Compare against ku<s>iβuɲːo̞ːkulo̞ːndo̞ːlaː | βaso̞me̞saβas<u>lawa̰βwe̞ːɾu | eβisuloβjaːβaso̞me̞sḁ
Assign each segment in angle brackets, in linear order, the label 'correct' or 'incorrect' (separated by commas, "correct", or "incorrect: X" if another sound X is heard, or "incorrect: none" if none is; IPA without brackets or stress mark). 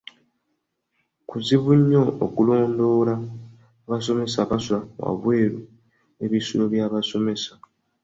incorrect: z, correct